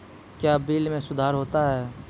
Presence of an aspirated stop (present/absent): absent